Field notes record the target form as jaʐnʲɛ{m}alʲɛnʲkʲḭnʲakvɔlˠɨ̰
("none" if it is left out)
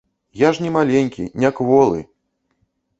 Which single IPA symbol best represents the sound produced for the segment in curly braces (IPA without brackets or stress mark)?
m